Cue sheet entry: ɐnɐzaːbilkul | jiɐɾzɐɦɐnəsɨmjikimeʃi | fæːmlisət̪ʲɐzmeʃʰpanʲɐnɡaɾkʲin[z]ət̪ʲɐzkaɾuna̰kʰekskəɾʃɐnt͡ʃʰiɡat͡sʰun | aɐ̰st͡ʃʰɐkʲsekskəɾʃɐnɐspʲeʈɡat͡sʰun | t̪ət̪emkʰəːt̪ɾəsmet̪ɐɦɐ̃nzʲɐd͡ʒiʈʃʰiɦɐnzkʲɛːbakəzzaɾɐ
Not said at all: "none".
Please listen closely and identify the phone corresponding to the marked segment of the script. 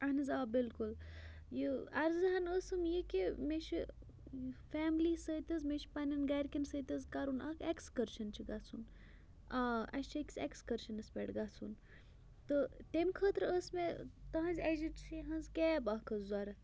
s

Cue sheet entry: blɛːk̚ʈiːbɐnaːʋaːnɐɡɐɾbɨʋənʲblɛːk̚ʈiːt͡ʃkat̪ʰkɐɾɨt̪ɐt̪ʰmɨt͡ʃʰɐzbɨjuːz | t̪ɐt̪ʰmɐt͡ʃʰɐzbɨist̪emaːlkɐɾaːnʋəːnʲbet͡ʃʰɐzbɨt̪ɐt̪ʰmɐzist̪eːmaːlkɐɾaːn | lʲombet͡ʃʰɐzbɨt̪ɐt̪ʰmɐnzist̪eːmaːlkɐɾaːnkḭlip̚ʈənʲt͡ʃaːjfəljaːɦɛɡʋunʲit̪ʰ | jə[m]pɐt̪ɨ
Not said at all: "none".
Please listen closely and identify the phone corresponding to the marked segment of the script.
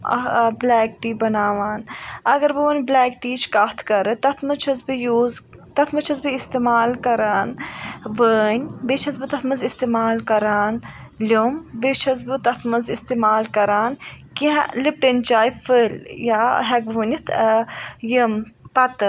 m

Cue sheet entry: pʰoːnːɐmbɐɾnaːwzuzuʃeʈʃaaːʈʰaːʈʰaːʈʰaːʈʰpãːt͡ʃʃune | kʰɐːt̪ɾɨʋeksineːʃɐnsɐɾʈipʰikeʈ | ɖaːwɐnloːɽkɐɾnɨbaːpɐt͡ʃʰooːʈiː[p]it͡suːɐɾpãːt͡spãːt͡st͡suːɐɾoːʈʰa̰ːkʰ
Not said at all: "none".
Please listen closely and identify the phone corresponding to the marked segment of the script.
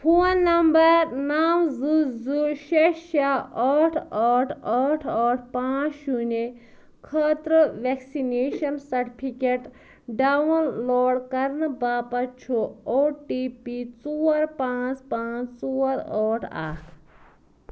p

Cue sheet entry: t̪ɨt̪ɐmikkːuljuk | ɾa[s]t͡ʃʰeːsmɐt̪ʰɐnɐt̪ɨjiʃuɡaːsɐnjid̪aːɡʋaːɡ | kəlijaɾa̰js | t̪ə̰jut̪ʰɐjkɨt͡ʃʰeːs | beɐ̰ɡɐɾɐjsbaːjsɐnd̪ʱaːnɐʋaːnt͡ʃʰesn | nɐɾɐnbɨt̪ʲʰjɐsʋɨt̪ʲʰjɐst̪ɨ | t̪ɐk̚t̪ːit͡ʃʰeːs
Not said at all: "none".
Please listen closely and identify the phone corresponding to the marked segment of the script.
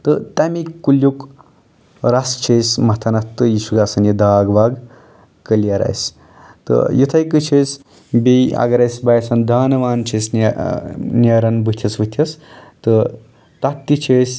s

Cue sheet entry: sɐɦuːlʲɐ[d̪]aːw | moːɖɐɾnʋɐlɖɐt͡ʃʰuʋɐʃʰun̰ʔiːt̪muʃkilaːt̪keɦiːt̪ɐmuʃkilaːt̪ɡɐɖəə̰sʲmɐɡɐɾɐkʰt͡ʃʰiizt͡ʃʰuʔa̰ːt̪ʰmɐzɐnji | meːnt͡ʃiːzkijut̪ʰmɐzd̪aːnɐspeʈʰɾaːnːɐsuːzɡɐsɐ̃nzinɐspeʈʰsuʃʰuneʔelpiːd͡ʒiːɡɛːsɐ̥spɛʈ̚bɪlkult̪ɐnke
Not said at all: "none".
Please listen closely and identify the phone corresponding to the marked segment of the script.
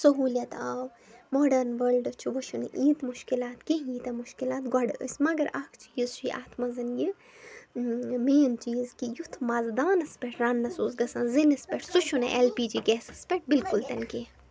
t̪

